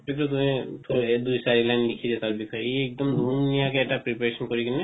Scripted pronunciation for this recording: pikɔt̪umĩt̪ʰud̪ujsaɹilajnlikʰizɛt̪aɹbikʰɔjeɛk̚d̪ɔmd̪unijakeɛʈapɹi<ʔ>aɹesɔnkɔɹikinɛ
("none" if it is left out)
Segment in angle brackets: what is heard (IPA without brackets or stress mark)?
p